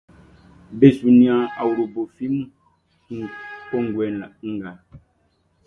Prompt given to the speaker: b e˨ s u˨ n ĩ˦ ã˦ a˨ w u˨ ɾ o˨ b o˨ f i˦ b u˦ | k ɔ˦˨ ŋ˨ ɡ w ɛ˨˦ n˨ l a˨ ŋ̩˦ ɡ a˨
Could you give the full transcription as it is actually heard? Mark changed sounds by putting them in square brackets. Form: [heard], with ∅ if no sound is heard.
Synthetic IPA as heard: b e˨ s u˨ n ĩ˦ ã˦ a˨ w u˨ ɾ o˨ b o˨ f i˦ [m] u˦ | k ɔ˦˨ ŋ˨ ɡ w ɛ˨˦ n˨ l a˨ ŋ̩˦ ɡ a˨